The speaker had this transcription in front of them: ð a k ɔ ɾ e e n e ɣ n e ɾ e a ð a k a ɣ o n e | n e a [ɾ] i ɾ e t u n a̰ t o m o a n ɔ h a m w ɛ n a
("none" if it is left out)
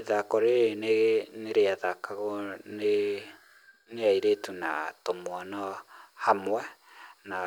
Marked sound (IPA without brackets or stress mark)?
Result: none